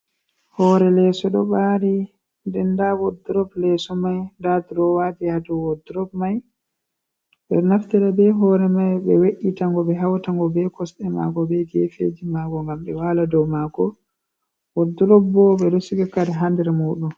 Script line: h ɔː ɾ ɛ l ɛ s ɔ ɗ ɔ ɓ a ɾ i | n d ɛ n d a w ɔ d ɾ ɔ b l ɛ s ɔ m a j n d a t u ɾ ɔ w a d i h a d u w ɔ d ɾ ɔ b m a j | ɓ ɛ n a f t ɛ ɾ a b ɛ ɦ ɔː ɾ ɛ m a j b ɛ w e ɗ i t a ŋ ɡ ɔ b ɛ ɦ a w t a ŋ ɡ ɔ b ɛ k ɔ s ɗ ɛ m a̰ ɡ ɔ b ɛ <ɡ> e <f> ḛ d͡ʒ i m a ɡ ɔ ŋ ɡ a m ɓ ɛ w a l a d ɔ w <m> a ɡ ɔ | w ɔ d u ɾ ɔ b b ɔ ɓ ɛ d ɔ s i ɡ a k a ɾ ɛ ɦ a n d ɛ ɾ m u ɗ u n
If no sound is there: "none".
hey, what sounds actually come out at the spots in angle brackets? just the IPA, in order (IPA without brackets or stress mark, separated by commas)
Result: ɡ, f, m